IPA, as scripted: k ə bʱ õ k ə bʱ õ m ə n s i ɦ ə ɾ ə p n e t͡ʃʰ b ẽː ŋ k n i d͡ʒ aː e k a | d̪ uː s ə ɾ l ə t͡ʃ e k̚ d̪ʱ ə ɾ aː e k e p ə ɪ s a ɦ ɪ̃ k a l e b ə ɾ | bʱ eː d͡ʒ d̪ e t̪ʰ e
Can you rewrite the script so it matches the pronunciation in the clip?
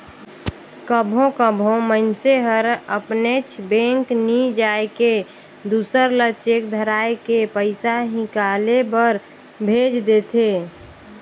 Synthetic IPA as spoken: k ə bʱ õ k ə bʱ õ m ə n s e ɦ ə ɾ ə p n e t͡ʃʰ b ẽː ŋ k n i d͡ʒ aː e k e | d̪ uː s ə ɾ l ə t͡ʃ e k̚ d̪ʱ ə ɾ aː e k e p ə ɪ s a ɦ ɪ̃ k a l e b ə ɾ | bʱ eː d͡ʒ d̪ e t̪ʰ e